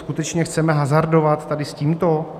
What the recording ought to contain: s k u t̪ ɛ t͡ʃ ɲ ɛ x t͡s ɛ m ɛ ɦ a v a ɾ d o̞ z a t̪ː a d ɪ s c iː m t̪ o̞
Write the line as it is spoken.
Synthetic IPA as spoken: s k u t̪ ɛ t͡ʃ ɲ ɛ x t͡s ɛ m ɛ ɦ a z a ɾ d o̞ v a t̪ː a d ɪ s c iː m t̪ o̞